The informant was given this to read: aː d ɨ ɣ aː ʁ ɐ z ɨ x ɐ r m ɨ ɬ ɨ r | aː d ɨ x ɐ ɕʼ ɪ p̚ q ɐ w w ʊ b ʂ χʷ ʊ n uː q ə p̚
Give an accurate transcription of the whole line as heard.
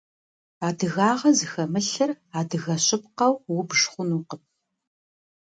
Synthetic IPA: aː d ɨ ɣ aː ʁ ɐ z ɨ x ɐ m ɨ ɬ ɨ r | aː d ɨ ɣ ɐ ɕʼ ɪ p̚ q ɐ w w ʊ b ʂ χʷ ʊ n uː q ə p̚